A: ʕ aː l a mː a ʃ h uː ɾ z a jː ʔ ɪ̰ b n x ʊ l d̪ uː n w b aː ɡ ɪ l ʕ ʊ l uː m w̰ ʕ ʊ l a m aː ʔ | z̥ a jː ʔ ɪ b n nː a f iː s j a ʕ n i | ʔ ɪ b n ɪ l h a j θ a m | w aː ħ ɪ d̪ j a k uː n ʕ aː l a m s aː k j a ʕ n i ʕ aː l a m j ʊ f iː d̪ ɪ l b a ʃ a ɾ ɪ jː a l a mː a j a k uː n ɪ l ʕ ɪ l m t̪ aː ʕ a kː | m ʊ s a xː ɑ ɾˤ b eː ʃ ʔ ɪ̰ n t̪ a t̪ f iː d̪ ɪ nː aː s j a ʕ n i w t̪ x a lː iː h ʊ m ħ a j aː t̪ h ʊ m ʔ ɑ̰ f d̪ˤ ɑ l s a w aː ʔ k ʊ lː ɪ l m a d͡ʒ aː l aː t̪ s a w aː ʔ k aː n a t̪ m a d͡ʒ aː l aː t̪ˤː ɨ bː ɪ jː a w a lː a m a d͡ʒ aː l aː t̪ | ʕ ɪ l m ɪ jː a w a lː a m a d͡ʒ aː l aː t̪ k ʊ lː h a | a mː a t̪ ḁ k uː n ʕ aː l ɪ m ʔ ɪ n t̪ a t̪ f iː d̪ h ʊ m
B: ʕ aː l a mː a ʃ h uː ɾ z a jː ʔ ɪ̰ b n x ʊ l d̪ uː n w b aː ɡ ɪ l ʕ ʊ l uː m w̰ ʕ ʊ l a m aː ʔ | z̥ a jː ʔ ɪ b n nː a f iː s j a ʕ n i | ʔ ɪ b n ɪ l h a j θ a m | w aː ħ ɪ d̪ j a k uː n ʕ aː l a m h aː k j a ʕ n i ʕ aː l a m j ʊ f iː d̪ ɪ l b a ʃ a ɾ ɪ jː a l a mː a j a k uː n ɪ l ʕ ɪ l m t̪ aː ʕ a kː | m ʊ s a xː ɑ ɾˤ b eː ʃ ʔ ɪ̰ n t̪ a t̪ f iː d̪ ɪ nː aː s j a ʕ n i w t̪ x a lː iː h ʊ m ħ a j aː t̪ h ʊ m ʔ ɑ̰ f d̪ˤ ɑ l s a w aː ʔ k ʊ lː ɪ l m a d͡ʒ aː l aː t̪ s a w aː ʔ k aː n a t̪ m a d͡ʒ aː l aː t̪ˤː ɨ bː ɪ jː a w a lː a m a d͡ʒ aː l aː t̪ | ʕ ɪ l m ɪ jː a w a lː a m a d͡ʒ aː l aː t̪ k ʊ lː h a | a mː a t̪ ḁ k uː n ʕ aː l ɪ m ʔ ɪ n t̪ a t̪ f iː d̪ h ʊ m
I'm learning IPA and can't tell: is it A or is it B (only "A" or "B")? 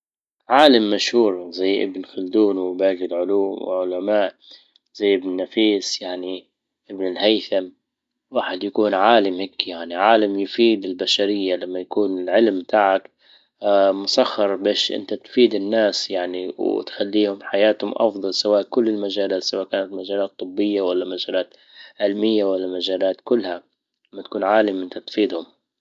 B